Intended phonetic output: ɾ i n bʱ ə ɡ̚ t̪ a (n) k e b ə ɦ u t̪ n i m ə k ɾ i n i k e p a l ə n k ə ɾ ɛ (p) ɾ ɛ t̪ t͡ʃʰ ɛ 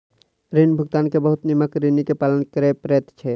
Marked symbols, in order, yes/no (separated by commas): yes, yes